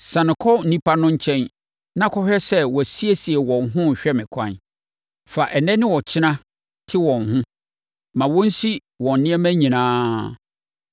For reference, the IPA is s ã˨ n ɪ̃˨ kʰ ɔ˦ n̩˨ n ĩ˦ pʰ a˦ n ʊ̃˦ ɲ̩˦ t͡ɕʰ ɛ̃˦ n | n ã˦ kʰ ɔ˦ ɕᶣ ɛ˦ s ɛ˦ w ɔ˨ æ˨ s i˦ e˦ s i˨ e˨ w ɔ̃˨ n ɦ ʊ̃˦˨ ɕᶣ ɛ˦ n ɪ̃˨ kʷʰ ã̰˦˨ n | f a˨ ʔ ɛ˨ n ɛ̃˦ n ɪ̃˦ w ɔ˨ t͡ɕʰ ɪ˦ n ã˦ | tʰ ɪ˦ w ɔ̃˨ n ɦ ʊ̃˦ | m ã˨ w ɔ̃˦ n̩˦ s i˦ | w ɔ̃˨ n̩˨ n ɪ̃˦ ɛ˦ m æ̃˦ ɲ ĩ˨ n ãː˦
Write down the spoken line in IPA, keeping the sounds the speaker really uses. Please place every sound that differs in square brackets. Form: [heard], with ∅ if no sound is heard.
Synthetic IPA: s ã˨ n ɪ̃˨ kʰ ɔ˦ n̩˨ n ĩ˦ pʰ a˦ n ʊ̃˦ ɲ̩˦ t͡ɕʰ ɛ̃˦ n | n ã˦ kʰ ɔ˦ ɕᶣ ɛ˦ s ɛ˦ w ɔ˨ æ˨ s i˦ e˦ s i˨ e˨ w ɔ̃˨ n ɦ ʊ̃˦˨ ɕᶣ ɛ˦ [m] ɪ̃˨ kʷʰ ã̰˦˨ n | f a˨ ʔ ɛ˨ n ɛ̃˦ n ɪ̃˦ w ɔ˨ t͡ɕʰ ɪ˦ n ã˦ | tʰ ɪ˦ w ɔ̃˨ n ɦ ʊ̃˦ | m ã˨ w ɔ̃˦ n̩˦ s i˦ | w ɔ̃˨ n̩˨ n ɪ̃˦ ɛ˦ m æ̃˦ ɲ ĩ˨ n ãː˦